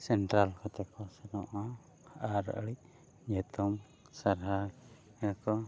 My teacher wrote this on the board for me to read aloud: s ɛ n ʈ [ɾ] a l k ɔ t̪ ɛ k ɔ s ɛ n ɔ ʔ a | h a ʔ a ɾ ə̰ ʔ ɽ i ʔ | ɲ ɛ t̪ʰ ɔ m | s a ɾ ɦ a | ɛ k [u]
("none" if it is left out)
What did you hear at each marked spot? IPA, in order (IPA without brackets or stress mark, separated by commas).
ɾ, ɔ